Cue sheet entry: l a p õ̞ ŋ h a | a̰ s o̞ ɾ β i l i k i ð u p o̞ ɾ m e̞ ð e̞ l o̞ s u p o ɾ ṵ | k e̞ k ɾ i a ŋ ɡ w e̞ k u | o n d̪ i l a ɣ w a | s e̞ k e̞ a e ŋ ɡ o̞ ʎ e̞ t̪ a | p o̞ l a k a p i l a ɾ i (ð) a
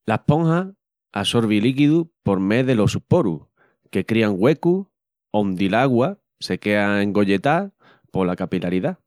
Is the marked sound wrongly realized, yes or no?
no